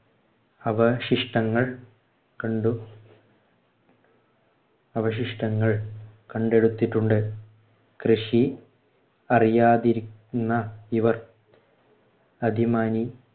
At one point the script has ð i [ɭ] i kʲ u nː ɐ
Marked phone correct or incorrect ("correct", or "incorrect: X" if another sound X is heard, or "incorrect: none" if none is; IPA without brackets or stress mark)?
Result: incorrect: ɾ